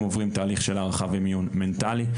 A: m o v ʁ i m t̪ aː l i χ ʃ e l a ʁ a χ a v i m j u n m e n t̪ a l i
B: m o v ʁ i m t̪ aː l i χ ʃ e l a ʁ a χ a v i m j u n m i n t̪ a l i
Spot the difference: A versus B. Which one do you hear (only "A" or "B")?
A